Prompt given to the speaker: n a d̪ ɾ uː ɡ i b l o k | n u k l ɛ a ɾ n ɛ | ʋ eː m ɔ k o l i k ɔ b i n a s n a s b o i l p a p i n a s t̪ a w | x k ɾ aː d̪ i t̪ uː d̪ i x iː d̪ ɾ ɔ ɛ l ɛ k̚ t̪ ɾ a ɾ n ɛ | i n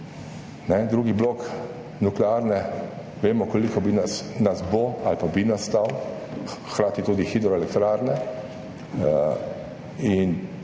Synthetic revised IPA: n ɛ d̪ ɾ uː ɡ i b l o k | n u k l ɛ a ɾ n ɛ | ʋ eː m ɔ k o l i k ɔ b i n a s n a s b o a l p a b i n a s t̪ a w | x k ɾ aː t̪ i t̪ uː d̪ i x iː d̪ ɾ ɔ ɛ l ɛ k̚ t̪ ɾ a ɾ n ɛ | i n